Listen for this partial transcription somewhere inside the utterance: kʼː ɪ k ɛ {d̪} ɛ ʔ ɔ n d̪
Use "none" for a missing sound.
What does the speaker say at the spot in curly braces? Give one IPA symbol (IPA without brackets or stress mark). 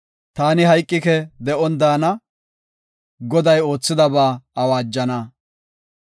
d̪